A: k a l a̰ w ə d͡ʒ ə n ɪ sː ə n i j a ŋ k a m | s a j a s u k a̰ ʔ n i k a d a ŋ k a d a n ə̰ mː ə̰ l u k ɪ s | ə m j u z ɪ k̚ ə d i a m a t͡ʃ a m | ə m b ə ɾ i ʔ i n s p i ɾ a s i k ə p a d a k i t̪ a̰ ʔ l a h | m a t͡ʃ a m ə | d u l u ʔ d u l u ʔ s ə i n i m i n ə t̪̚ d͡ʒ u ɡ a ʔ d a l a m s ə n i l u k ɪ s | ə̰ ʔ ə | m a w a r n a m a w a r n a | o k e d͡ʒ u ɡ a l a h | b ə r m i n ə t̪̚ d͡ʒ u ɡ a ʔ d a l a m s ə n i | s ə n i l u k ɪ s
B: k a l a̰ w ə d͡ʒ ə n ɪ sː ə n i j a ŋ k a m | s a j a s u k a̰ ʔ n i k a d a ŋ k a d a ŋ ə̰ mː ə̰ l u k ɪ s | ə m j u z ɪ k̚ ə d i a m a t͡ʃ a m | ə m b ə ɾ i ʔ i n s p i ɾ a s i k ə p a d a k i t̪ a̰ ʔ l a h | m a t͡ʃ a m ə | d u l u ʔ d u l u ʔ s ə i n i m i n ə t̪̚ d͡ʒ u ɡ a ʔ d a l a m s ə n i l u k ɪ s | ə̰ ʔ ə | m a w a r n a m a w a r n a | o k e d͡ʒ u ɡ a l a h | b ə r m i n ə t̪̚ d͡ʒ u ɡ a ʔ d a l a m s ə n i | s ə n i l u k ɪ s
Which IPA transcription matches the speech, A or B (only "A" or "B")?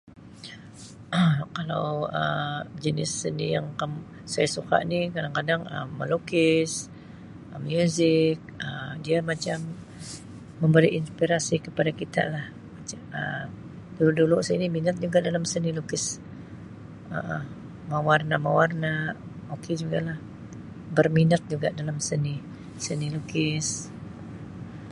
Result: B